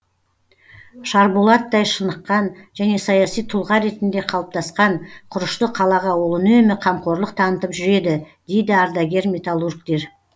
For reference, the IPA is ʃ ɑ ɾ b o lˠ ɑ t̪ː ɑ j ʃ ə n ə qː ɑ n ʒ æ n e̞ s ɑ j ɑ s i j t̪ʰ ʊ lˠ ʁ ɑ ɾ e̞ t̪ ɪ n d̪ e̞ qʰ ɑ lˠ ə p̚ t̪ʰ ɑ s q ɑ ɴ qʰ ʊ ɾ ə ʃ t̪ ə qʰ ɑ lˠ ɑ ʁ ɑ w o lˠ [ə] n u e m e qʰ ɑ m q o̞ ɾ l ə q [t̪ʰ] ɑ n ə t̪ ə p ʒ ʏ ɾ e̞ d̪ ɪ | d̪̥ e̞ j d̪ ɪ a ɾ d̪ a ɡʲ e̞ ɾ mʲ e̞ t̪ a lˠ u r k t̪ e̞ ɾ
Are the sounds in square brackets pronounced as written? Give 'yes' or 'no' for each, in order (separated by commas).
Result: yes, yes